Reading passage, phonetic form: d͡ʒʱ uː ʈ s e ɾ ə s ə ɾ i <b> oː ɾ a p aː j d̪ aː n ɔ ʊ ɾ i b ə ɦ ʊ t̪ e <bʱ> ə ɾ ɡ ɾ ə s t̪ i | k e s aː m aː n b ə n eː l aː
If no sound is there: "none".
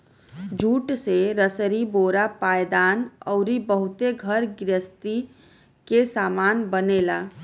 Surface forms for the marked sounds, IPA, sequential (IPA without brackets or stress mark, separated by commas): b, ɡʱ